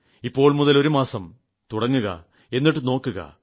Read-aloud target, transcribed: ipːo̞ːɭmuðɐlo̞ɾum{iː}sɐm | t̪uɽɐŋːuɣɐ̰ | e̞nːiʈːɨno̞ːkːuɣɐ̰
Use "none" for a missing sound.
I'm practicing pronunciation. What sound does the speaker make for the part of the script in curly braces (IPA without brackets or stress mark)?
aː